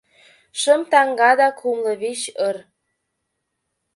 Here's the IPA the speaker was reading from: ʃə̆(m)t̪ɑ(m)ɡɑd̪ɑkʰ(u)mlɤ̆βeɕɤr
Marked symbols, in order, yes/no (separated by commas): yes, no, yes